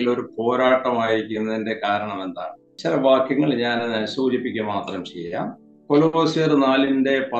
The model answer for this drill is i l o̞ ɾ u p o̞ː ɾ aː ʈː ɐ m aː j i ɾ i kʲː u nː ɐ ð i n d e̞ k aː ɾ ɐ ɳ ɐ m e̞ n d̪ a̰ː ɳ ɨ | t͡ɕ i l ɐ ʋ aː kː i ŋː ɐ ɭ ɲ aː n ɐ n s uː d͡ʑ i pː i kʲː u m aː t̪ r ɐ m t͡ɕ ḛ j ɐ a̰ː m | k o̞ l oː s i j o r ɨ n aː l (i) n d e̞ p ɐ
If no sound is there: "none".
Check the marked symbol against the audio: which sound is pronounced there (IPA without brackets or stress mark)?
i